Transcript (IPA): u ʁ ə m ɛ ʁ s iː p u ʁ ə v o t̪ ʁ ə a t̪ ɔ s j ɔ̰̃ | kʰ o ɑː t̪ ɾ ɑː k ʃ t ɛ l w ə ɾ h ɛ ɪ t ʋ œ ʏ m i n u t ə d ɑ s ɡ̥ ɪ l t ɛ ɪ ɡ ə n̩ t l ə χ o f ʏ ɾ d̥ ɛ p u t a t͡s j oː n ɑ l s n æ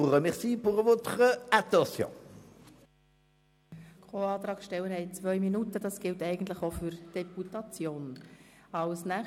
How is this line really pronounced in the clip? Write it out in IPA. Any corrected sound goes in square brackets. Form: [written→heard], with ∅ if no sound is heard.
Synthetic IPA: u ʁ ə m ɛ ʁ s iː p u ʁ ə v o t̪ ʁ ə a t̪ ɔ s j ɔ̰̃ | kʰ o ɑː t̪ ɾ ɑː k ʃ t ɛ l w ə ɾ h ɛ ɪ [t→t͡s] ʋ œ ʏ m i n u t ə d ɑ s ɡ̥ ɪ l t ɛ ɪ ɡ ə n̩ t l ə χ o f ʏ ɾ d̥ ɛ p u t [a→ɑ] t͡s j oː n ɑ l s n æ